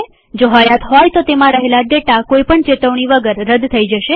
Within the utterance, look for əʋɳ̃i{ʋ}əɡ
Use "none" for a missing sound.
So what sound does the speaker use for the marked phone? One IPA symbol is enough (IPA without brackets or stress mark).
ʋ